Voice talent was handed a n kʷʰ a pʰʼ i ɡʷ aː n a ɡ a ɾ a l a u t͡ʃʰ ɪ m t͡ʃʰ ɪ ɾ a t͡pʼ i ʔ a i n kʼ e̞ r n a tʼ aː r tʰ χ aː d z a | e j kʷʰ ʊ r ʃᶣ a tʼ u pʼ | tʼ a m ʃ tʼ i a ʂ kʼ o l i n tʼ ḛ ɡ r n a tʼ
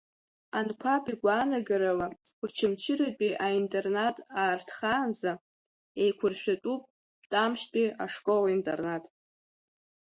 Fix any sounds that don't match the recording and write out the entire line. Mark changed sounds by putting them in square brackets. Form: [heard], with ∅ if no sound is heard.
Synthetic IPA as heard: a n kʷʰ a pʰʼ i ɡʷ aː n a ɡ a ɾ a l a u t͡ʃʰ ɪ m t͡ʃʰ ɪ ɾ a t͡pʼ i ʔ a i n [tʼ] e̞ r n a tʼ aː r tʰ χ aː [n] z a | e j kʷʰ ʊ r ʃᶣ a tʼ u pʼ | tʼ a m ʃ tʼ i a ʂ kʼ o l i n tʼ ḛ [∅] r n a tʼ